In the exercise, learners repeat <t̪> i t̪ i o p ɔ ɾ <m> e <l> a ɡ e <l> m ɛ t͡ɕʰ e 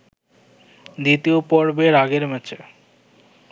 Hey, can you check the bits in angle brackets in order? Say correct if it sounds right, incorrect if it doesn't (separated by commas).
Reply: incorrect, incorrect, incorrect, incorrect